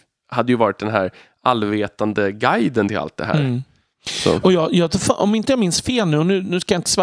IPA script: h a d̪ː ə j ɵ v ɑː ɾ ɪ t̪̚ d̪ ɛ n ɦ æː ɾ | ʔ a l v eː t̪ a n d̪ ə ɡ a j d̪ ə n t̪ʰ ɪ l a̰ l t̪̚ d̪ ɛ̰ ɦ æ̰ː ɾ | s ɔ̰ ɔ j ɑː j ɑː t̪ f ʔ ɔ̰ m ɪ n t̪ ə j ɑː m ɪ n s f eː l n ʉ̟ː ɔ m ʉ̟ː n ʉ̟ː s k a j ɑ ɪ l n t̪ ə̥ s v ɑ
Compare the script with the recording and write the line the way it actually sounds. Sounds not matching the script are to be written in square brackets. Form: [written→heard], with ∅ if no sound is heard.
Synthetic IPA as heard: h a d̪ː ə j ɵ v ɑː ɾ ɪ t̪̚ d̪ ɛ n ɦ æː ɾ | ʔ a l v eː t̪ a n d̪ ə ɡ a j d̪ ə n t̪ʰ ɪ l a̰ l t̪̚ d̪ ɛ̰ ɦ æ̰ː ɾ | s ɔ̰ ɔ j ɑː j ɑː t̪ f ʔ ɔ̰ m ɪ n t̪ ə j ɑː m ɪ n s f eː l n ʉ̟ː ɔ [m→n] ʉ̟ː n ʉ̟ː s k a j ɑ ɪ [l→∅] n t̪ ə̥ s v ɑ